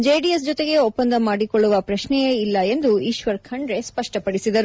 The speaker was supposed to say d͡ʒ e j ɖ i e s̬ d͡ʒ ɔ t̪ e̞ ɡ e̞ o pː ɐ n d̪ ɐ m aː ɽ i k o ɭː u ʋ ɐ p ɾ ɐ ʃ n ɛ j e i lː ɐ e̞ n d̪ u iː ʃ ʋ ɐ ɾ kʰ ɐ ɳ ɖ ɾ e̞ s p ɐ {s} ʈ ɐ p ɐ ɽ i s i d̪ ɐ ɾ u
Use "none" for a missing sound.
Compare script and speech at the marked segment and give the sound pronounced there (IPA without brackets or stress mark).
ʂ